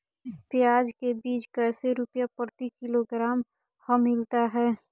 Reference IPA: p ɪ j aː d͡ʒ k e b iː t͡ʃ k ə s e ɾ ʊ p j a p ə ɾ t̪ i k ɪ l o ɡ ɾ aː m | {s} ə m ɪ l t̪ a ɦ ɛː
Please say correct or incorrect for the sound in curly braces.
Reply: incorrect: h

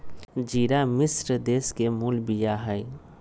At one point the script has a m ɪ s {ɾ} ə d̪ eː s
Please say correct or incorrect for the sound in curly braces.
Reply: correct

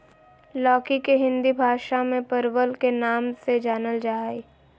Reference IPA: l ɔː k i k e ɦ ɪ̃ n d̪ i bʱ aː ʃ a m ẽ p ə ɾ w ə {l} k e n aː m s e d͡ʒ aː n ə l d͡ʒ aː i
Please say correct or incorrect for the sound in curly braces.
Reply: correct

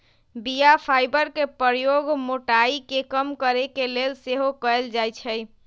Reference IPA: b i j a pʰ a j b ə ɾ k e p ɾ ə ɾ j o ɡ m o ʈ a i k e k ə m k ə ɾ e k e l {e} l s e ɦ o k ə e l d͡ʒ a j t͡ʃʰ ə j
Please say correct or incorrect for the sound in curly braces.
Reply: correct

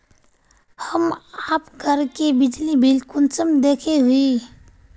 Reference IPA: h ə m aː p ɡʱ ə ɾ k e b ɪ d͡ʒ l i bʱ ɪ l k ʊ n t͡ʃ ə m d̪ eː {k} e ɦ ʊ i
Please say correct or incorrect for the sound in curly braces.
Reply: incorrect: kʰ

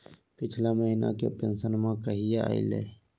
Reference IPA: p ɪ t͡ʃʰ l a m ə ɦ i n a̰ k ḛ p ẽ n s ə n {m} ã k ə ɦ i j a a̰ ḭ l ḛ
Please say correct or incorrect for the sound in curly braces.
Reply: correct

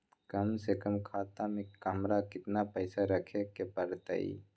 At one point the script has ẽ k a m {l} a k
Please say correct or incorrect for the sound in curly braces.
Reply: incorrect: ɾ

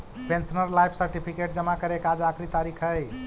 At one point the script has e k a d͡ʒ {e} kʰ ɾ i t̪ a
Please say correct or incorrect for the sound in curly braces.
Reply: incorrect: a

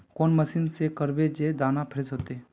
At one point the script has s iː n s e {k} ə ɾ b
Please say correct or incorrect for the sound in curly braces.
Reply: correct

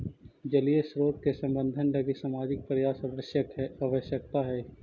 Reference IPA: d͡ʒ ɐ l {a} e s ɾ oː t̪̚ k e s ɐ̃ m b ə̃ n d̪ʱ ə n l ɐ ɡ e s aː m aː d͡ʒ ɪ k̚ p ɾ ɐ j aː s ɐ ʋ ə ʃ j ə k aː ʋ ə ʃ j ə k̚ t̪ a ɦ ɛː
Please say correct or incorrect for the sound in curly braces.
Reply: incorrect: i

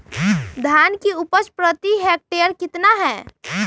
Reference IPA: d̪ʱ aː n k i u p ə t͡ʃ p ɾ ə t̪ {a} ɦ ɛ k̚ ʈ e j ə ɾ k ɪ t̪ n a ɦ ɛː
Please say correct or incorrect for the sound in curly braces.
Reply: incorrect: i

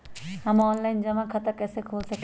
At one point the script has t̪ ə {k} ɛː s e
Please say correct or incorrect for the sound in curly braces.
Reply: correct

